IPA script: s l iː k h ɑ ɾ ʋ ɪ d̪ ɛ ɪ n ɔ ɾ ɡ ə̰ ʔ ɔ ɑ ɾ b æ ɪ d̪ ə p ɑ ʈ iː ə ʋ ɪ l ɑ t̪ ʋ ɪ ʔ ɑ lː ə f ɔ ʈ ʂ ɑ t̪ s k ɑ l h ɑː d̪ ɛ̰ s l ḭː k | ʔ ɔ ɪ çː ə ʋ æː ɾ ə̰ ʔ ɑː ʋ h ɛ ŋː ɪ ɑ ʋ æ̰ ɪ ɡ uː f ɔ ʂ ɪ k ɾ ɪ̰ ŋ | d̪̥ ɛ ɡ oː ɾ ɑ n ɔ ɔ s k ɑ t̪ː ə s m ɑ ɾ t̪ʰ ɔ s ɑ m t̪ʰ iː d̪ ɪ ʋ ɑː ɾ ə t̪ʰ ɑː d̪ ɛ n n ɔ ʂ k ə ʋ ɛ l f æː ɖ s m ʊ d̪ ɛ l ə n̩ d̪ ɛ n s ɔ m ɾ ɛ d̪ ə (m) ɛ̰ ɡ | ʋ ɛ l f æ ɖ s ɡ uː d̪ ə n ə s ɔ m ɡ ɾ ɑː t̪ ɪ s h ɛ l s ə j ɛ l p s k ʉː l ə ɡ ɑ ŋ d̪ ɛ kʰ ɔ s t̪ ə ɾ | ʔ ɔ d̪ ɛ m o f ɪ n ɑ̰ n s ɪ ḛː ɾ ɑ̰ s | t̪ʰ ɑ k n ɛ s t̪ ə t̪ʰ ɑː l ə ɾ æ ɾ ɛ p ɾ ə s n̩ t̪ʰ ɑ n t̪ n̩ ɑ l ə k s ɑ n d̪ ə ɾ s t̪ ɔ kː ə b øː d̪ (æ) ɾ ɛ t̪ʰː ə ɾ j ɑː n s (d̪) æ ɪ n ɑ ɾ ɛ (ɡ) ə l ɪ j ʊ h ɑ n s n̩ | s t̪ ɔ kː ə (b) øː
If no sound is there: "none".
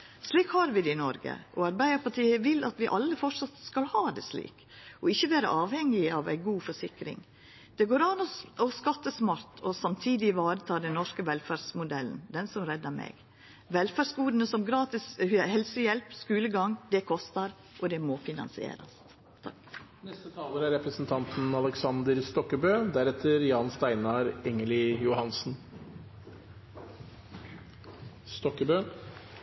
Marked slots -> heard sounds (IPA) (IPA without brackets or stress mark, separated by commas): m, æ, t̪, ŋ, b